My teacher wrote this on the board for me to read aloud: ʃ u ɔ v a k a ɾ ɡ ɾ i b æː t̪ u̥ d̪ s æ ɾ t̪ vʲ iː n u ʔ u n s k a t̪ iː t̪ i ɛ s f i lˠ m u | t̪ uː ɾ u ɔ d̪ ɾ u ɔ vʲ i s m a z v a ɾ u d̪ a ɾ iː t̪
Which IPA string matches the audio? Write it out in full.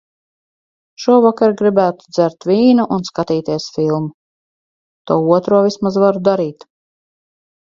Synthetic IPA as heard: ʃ u ɔ v a k a ɾ ɡ ɾ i b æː t̪ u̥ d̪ z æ ɾ t̪ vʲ iː n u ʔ u n s k a t̪ iː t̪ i ɛ s f i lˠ m u | t̪ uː u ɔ t̪ ɾ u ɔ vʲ i s m a z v a ɾ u d̪ a ɾ iː t̪